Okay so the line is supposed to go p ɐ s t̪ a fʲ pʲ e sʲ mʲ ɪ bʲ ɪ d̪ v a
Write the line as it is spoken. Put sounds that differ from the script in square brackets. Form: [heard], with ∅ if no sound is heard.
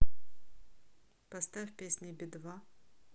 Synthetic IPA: p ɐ s t̪ a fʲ pʲ e sʲ [nʲ] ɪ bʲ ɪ d̪ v a